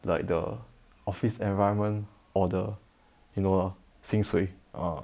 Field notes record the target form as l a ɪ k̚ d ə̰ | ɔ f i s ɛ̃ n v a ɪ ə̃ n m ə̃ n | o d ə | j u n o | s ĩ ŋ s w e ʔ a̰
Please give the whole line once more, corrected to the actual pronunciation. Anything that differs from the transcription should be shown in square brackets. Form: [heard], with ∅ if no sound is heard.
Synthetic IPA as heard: l a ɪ k̚ d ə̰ | ɔ f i s ɛ̃ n v a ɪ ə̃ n m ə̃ n | [ɔ] d ə | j u n o | s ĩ ŋ s w e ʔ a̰